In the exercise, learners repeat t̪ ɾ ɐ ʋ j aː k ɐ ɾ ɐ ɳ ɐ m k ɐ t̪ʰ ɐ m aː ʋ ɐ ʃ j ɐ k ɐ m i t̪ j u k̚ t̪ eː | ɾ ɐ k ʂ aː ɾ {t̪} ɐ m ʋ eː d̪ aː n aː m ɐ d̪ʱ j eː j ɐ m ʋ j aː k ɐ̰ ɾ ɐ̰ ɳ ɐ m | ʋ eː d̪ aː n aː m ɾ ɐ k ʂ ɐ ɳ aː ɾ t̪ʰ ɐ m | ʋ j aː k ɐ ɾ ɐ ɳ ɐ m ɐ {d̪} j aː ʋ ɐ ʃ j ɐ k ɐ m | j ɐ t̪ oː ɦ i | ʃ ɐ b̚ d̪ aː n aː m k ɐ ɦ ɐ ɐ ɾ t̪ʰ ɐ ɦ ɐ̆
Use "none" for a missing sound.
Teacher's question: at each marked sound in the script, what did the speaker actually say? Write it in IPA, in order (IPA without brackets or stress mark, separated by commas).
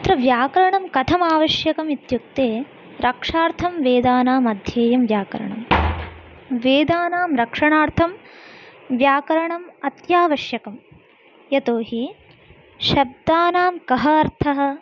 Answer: t̪ʰ, t̪